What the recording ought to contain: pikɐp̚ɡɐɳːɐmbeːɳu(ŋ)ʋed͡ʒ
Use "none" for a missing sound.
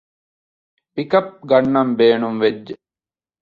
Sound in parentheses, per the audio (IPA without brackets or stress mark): m